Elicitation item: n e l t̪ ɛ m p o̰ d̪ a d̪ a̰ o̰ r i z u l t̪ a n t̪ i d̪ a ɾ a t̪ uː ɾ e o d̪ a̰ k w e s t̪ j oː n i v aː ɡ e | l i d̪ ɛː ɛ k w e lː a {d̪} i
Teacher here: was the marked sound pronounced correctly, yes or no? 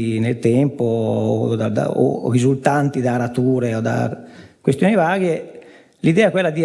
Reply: yes